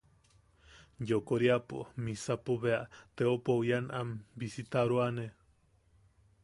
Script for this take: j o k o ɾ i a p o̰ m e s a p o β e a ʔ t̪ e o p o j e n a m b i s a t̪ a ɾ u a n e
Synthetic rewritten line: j o k o ɾ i a p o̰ m i s a p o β e a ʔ t̪ e o p o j a n a m b i s i t̪ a ɾ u a n e